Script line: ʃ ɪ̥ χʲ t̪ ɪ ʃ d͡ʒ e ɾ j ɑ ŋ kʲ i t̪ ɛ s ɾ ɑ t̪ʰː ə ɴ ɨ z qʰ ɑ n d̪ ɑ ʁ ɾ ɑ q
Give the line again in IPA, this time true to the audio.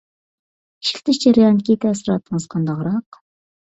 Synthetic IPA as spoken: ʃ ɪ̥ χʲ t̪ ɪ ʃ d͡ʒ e ɾ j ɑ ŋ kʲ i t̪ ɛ s ɾ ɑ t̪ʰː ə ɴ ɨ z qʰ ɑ n d̪ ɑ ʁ ɾ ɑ q

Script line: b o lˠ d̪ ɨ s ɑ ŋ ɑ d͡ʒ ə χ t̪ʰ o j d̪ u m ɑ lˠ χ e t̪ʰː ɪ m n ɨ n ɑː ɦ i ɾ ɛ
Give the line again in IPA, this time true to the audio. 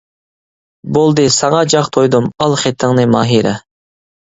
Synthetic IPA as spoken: b o lˠ d̪ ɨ s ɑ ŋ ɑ d͡ʒ ɑ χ t̪ʰ o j d̪ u m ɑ lˠ χ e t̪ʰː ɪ ŋ n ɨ m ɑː ɦ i ɾ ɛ

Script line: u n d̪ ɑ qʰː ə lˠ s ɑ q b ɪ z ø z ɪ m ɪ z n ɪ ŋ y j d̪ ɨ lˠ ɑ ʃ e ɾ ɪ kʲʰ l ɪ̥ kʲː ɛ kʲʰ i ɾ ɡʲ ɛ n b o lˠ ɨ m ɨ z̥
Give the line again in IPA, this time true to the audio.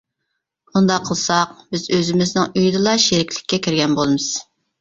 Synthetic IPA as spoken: u n d̪ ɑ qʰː ə lˠ s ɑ q b ɪ z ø z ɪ m ɪ z n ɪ ŋ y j d̪ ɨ lˠ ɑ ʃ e ɾ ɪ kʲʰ l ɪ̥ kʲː ɛ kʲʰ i ɾ ɡʲ ɛ n b o lˠ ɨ m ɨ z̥

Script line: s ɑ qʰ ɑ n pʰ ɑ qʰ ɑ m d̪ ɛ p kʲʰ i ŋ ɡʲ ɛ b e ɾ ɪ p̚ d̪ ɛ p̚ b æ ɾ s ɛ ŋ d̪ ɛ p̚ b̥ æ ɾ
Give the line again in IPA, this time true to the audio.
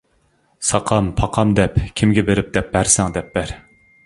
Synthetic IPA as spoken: s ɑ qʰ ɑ m pʰ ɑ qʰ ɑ m d̪ ɛ p kʲʰ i m ɡʲ ɛ b e ɾ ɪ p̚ d̪ ɛ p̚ b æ ɾ s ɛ ŋ d̪ ɛ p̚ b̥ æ ɾ

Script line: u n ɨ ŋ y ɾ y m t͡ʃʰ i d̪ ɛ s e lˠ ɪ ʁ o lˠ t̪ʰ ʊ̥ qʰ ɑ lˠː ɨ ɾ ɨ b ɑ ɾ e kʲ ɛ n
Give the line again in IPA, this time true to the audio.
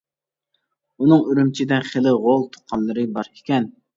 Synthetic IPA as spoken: u n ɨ ŋ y ɾ y m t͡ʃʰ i d̪ ɛ χ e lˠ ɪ ʁ o lˠ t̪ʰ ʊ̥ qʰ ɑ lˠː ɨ ɾ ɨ b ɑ ɾ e kʲ ɛ n

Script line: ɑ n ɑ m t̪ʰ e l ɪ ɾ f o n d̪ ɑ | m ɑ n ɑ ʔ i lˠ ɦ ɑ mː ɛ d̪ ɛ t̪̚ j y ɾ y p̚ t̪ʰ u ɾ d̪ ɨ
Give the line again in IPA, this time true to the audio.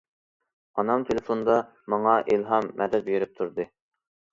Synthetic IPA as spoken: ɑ n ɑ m t̪ʰ e l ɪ f o n d̪ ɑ | m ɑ ŋ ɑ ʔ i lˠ ɦ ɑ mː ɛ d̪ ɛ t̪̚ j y ɾ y p̚ t̪ʰ u ɾ d̪ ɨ

